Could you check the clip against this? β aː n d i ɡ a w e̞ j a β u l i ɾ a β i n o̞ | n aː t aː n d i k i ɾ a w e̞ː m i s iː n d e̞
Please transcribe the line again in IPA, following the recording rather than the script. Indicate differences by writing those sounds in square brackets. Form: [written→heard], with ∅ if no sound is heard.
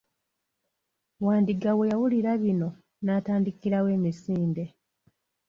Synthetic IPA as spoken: [β→w] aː n d i ɡ a w e̞ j a [β→w] u l i ɾ a β i n o̞ | n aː t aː n d i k i ɾ a w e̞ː m i s iː n d e̞